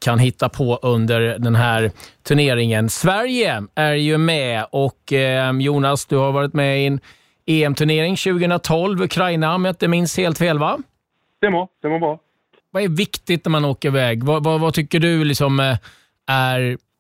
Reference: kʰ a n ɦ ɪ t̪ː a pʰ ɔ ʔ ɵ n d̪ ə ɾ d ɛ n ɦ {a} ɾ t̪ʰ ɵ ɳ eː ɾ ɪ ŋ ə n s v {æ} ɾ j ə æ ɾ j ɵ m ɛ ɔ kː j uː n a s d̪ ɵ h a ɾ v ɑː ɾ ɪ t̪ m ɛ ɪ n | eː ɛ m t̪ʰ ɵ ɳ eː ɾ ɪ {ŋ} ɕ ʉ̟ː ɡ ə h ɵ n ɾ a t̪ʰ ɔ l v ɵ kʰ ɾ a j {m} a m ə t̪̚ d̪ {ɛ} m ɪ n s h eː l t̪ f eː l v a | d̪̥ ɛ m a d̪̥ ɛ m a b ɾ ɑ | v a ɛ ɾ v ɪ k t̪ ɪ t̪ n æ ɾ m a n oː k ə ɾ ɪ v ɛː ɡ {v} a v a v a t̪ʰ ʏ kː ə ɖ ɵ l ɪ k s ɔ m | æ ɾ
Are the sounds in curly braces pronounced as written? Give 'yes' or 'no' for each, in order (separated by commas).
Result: no, yes, yes, no, yes, yes